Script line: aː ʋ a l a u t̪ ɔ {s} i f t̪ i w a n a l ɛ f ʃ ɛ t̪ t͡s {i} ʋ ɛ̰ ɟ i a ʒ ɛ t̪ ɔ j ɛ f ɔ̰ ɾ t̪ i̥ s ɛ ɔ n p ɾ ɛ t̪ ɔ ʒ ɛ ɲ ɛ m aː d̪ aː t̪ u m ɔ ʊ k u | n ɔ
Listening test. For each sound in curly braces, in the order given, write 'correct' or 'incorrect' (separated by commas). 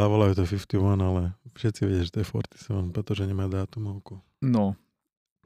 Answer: incorrect, correct